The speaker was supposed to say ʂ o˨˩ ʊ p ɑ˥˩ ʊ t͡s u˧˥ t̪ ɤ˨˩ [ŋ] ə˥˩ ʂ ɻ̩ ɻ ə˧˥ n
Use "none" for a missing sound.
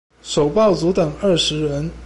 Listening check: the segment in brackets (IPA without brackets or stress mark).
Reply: ŋ